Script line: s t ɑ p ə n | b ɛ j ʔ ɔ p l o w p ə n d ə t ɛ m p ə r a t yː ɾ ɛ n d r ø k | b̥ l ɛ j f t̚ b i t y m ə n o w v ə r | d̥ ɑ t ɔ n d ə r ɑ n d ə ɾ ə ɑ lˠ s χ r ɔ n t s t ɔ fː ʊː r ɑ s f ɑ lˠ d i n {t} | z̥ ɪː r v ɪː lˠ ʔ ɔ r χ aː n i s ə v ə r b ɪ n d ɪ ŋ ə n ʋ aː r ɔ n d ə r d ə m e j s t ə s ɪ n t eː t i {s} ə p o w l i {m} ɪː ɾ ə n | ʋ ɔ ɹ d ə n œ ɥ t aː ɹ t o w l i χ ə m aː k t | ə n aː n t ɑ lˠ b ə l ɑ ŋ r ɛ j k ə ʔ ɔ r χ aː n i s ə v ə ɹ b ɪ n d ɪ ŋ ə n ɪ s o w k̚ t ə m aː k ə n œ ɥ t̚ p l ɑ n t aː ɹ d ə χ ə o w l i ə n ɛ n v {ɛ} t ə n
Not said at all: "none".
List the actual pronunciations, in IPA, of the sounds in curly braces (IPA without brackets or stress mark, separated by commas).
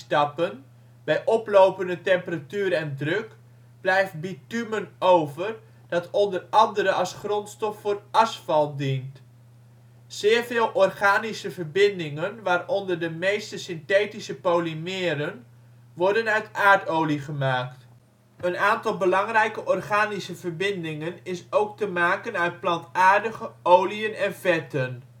t, s, m, ɛ